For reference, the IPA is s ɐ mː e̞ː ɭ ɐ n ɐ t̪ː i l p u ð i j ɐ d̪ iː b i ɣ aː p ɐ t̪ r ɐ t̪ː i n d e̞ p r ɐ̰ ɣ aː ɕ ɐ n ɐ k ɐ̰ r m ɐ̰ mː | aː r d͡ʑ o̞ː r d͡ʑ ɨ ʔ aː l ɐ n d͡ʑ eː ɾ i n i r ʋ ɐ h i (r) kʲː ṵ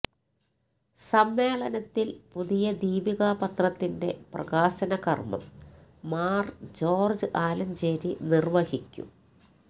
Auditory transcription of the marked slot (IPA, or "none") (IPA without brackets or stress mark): none